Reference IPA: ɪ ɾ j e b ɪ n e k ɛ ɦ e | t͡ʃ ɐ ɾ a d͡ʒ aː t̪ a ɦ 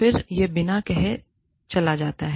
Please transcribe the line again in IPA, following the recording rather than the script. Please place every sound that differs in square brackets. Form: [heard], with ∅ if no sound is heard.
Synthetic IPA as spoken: ɪ ɾ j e b ɪ n [a] k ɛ ɦ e | t͡ʃ ɐ [l] a d͡ʒ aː t̪ a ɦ